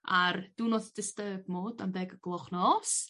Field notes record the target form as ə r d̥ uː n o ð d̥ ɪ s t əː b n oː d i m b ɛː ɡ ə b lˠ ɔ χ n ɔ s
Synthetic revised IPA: a r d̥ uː n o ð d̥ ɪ s t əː b m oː d a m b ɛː ɡ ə ɡ lˠ ɔ χ n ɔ s